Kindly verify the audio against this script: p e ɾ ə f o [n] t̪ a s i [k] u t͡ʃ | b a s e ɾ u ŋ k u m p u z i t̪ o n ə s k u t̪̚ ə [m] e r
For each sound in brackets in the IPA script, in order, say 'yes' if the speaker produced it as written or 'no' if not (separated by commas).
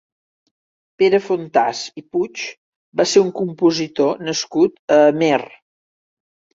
yes, no, yes